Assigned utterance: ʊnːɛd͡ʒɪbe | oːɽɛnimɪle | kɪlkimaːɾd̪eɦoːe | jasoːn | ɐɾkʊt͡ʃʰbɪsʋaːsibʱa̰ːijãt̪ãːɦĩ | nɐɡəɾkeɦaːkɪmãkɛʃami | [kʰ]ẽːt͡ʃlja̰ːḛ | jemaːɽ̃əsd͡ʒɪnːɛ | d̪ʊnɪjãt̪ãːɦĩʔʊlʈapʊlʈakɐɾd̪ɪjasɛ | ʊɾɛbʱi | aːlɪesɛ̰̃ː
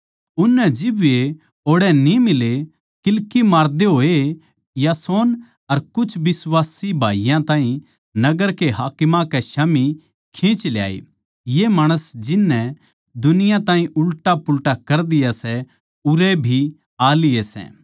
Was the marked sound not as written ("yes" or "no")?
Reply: no